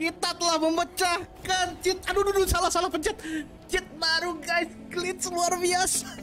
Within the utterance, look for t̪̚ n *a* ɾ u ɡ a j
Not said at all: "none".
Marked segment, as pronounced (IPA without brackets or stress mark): a